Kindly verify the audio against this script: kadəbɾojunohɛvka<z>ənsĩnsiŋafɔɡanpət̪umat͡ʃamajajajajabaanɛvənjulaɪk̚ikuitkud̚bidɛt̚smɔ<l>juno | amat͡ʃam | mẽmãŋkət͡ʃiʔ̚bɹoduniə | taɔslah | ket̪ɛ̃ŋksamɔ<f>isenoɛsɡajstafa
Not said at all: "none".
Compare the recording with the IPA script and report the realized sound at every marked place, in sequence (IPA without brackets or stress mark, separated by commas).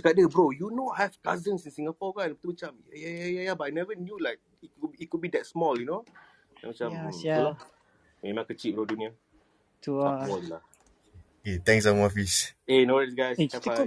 z, l, f